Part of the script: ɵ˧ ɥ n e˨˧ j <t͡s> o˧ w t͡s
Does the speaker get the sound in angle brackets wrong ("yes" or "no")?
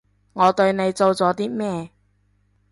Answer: no